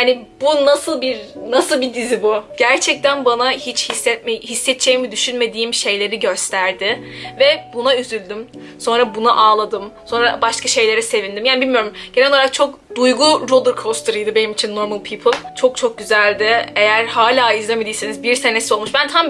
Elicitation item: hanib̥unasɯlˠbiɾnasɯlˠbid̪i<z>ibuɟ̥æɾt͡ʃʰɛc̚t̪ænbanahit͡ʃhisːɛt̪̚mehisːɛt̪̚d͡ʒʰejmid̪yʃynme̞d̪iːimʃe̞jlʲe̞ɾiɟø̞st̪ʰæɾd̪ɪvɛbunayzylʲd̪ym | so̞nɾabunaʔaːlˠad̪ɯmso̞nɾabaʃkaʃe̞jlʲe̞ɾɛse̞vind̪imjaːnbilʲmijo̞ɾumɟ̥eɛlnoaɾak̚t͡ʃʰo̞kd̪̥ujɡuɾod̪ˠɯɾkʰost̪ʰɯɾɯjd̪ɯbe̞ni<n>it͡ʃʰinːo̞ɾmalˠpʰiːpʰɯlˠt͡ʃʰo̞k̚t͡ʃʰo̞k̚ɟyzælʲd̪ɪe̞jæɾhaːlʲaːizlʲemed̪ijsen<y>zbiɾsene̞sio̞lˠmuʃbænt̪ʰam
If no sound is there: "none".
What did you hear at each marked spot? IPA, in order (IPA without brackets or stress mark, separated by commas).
z, m, i